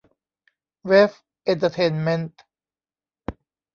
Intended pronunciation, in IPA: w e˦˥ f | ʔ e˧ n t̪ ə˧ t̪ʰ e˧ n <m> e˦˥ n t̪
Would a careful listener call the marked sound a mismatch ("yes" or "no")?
no